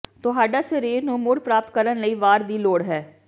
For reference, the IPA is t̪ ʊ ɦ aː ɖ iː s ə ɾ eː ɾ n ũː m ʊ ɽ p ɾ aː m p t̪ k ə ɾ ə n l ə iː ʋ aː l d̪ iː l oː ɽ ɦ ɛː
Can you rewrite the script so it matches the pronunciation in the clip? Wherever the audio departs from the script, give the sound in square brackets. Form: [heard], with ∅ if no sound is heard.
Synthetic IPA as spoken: t̪ ʊ ɦ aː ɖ [aː] s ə ɾ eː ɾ n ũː m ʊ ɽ p ɾ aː [∅] p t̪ k ə ɾ ə n l ə iː ʋ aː [ɾ] d̪ iː l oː ɽ ɦ ɛː